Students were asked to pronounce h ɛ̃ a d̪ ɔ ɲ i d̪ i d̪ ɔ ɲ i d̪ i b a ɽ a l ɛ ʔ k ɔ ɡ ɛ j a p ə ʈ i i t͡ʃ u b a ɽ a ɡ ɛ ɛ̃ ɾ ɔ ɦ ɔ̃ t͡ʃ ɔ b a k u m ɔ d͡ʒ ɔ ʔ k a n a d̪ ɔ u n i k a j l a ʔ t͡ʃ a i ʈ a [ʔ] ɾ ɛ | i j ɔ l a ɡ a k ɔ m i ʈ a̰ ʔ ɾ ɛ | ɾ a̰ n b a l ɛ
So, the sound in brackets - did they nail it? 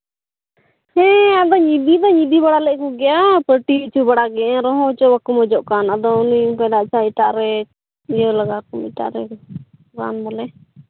yes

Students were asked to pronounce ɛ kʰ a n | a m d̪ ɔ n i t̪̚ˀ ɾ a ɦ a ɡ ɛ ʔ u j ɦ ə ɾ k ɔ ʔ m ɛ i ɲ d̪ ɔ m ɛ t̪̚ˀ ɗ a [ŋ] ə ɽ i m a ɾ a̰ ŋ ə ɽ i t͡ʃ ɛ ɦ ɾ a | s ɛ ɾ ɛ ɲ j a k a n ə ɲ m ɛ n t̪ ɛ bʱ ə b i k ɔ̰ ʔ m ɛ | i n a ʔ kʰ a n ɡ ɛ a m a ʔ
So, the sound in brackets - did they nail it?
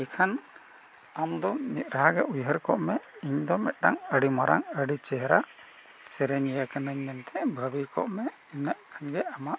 yes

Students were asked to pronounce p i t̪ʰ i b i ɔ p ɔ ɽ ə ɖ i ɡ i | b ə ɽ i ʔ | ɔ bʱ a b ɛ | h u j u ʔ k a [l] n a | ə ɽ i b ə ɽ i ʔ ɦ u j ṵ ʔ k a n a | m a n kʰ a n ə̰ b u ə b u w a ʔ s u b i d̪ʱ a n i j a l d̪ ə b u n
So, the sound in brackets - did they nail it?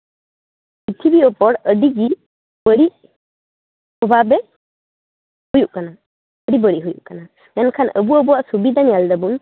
no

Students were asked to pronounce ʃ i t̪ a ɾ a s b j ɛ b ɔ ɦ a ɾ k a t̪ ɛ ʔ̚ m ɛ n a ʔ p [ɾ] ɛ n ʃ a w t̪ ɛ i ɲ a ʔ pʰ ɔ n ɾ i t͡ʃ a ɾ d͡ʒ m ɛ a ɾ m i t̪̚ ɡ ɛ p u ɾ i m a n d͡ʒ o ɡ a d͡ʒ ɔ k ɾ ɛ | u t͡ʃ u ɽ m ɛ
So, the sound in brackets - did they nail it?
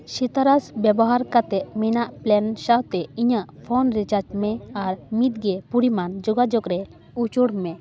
no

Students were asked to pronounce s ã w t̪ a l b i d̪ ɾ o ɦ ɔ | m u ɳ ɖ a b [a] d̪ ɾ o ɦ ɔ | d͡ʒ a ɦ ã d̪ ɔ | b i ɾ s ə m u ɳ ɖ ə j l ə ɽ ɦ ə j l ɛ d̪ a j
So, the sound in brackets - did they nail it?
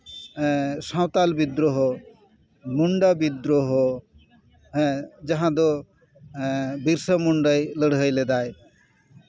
no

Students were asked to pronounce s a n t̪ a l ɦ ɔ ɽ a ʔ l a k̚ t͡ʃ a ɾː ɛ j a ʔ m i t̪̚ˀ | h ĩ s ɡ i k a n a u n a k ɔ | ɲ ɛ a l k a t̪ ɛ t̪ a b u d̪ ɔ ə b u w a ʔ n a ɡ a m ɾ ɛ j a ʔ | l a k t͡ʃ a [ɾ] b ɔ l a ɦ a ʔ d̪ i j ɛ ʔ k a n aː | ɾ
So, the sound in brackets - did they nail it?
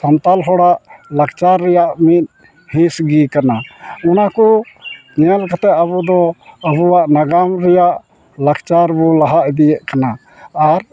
yes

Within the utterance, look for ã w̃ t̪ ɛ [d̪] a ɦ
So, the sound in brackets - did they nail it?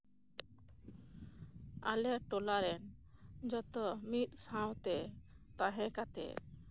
no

